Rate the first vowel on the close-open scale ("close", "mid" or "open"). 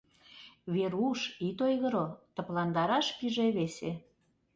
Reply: mid